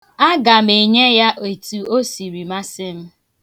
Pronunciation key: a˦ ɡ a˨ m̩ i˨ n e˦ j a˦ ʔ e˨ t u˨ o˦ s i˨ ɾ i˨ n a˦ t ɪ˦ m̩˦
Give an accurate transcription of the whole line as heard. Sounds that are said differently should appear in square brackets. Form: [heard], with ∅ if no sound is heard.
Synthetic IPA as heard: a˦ ɡ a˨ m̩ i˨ [ɲ] e˦ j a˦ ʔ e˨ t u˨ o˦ s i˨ ɾ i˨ [m] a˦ [s] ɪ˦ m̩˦